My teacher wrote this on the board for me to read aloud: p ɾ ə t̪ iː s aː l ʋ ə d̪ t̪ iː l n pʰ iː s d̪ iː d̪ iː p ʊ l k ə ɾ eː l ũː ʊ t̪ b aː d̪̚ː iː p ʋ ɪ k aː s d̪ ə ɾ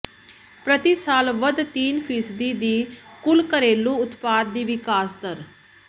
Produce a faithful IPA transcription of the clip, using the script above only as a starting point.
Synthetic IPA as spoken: p ɾ ə t̪ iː s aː l ʋ ə d̪ t̪ iː n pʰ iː s d̪ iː d̪ iː k ʊ l k ə ɾ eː l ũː ʊ t̪ p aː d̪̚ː iː ʋ ɪ k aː s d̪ ə ɾ